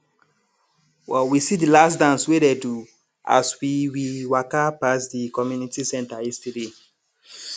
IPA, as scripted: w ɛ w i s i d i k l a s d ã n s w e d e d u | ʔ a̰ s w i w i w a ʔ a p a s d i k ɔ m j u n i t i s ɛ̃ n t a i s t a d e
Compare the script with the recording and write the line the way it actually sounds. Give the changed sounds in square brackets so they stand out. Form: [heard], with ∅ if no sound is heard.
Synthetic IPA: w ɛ w i s i d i [∅] l a s d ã n s w e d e d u | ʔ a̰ s w i w i w a [k] a p a s d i k ɔ m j u n i t i s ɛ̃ n t a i s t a d e